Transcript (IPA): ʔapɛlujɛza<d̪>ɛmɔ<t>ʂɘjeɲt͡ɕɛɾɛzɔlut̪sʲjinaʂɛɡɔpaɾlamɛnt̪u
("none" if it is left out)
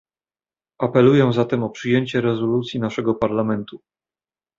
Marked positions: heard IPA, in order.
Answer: t̪, p

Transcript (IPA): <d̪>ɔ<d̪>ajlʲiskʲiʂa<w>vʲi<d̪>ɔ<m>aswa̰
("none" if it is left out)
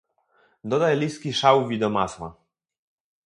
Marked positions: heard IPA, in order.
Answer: d̪, d̪, w, d̪, m

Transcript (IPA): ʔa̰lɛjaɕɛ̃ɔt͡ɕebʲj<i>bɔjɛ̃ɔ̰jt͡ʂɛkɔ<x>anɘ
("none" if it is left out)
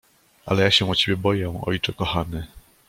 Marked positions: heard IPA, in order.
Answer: ɛ, x

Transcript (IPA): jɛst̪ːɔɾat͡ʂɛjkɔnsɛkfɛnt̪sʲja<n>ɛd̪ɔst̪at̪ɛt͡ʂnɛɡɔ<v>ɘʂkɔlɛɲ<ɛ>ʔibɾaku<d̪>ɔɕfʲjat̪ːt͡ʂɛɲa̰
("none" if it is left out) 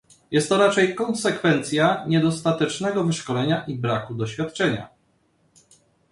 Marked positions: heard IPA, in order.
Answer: ɲ, v, a, d̪

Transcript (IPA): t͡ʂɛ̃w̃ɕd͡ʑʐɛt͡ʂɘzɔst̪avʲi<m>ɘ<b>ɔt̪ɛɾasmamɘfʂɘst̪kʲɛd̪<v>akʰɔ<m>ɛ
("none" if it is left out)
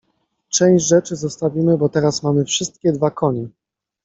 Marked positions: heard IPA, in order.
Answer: m, b, v, ɲ

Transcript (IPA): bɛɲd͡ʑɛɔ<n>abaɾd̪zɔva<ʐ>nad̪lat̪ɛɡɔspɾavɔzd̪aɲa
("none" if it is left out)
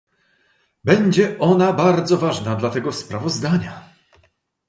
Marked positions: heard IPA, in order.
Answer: n, ʐ

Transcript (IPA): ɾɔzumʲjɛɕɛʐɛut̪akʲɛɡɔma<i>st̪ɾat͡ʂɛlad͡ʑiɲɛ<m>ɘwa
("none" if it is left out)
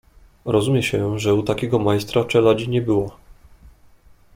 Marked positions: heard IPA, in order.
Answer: j, b

